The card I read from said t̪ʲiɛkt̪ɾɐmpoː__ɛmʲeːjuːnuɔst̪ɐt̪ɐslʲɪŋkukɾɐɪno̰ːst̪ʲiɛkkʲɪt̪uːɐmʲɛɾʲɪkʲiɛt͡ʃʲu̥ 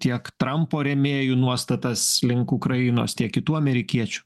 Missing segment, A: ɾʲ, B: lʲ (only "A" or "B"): A